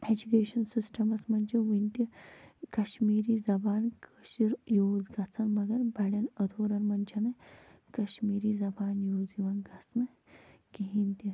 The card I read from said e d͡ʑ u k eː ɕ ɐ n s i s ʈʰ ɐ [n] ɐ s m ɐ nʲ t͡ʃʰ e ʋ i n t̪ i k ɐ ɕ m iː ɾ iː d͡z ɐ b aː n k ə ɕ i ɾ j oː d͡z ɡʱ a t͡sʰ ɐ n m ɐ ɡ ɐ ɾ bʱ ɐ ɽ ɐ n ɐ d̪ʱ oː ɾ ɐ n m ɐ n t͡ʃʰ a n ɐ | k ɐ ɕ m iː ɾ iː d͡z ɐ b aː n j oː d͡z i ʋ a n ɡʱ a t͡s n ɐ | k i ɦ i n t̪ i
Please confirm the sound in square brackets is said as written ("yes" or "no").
no